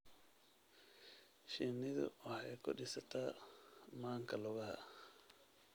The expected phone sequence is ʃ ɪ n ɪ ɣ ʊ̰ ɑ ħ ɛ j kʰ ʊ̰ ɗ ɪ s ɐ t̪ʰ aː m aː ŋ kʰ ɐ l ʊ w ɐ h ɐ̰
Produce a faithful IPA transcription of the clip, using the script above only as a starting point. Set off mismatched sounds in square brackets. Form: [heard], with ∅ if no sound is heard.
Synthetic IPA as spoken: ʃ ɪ n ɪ [ð] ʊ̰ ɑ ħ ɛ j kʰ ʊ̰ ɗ ɪ s ɐ t̪ʰ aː m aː ŋ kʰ ɐ l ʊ [ɣ] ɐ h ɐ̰